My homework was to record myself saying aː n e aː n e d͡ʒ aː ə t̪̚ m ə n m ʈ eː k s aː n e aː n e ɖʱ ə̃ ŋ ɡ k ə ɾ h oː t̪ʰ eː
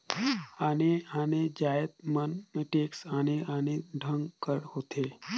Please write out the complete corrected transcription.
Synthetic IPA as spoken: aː n e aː n e d͡ʒ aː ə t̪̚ m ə n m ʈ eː k s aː n e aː n e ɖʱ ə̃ ŋ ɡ k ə ɾ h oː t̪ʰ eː